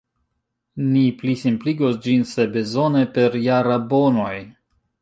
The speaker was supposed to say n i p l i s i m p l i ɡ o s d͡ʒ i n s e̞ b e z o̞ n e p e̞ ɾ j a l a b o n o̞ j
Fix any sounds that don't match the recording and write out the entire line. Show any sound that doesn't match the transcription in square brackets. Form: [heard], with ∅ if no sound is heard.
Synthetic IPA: n i p l i s i m p l i ɡ o s d͡ʒ i n s e̞ b e z o̞ n e p e̞ ɾ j a [ɾ] a b o n o̞ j